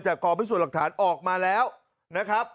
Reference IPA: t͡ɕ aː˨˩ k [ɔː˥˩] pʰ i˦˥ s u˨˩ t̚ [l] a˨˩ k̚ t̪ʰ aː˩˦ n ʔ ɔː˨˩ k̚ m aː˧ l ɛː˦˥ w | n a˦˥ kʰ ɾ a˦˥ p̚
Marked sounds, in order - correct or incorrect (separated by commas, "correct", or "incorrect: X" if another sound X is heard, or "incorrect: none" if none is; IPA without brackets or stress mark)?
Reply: incorrect: ɔː˧, correct